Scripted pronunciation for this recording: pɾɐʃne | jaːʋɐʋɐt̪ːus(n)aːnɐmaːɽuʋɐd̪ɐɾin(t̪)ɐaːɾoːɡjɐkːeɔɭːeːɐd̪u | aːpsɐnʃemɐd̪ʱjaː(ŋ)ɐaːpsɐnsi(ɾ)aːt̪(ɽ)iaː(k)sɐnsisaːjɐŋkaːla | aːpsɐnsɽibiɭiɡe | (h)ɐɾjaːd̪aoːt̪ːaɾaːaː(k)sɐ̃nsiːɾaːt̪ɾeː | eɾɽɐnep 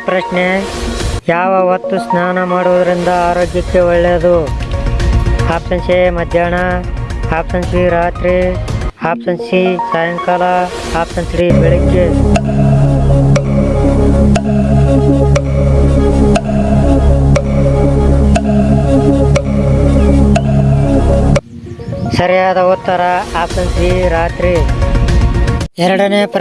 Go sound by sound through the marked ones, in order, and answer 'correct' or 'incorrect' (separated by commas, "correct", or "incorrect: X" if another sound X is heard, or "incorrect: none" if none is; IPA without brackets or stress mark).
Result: correct, incorrect: d̪, incorrect: ɳ, correct, incorrect: ɾ, incorrect: p, incorrect: s, incorrect: p